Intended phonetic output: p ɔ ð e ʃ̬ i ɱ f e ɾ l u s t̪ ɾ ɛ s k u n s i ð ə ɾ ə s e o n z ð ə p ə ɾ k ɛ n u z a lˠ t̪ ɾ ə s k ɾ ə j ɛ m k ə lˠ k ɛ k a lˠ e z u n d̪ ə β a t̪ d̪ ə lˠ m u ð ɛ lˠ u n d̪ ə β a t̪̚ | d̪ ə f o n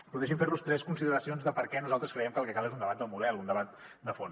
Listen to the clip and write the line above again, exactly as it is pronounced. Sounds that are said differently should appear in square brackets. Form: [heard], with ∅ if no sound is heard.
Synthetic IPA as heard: p [u] ð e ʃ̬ i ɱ f e ɾ l u s t̪ ɾ ɛ s k u n s i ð ə ɾ ə s [i] o n z ð ə p ə ɾ k ɛ n u z a lˠ t̪ ɾ ə s k ɾ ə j ɛ m k ə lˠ k ɛ k a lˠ e z u n d̪ ə β a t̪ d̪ ə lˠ m u ð ɛ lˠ u n d̪ ə β a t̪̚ | d̪ ə f o n